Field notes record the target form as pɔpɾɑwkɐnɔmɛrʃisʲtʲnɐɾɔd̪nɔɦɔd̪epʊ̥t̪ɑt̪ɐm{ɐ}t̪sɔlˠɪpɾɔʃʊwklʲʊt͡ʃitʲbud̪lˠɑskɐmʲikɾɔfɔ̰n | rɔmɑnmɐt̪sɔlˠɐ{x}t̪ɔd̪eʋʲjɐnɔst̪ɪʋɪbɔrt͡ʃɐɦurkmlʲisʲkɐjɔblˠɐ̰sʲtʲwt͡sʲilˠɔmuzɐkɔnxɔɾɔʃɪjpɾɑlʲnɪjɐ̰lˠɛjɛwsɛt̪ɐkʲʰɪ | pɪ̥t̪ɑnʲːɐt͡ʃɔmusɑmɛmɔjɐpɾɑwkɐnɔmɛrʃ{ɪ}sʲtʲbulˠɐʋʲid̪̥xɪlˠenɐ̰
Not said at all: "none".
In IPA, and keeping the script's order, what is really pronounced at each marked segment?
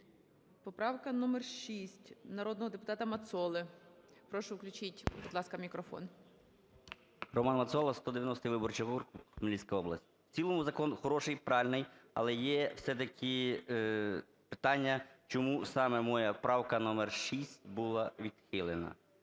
ɐ, s, i

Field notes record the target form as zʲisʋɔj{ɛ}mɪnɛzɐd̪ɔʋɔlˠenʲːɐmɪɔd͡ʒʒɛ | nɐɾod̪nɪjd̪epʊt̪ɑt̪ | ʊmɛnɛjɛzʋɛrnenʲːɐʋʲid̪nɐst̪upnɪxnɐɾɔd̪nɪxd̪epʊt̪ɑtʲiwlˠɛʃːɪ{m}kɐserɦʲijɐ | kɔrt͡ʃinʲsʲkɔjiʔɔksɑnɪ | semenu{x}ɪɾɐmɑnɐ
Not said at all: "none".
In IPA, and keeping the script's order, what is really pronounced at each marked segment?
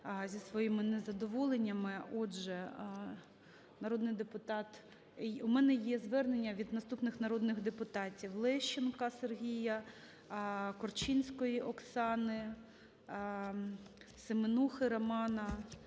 i, n, x

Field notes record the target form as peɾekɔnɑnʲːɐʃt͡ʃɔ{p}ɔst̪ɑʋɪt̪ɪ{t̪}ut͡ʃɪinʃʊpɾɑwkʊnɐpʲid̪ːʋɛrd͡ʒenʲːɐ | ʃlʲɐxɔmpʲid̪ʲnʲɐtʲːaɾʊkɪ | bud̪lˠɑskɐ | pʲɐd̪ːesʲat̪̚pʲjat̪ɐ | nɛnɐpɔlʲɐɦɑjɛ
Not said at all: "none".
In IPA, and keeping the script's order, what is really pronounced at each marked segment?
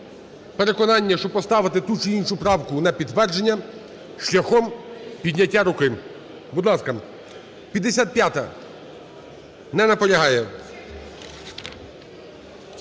p, t̪

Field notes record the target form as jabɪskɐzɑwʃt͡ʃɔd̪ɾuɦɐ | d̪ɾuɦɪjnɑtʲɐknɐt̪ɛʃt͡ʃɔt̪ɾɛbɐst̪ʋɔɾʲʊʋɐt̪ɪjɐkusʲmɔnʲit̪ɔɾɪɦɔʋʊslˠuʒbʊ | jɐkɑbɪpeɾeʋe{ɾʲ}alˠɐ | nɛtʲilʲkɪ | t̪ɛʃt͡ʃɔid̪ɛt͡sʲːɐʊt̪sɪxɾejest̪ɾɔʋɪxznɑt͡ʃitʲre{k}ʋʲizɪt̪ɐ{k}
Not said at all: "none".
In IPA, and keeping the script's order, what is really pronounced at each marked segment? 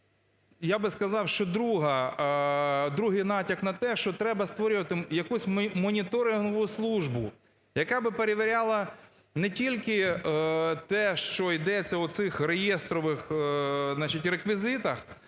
ɾʲ, k, x

